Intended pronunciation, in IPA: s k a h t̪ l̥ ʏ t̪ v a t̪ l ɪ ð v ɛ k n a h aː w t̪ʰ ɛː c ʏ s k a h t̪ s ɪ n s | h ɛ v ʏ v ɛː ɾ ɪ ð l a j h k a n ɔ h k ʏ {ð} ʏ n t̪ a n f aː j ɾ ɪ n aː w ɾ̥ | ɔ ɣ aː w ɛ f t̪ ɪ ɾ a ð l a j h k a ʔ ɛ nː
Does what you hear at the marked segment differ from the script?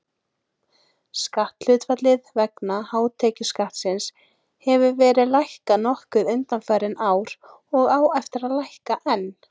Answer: no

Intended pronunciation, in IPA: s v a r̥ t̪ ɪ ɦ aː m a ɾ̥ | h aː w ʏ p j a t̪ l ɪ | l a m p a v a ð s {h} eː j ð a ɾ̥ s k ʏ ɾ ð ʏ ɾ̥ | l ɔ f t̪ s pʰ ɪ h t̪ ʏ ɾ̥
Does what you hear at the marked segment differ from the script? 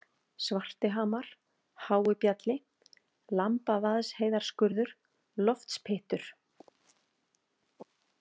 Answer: no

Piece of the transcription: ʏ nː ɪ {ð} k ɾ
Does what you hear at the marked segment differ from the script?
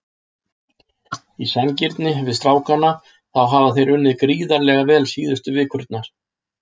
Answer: no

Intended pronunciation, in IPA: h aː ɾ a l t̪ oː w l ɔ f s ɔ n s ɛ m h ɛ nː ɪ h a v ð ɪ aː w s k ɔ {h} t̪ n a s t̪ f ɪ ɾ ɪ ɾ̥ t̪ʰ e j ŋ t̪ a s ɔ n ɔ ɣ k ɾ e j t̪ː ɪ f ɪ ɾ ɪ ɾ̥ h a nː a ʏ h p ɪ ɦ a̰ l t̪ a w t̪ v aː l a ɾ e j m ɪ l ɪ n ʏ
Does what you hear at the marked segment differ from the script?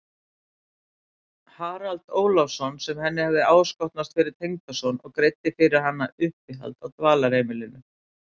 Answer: no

